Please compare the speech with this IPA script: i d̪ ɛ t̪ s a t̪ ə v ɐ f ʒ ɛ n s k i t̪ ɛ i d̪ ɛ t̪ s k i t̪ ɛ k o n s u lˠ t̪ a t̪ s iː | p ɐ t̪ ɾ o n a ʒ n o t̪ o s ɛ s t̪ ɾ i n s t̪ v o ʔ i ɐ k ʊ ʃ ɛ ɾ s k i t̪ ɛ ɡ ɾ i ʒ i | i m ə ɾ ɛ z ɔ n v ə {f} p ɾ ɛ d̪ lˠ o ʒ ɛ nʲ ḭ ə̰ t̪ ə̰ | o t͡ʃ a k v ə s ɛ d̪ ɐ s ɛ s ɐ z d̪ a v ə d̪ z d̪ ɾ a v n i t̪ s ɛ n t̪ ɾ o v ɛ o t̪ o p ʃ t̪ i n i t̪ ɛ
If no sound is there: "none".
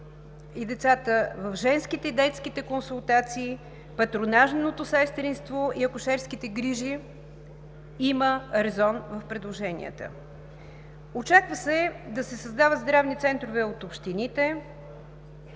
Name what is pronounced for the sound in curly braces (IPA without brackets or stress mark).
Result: f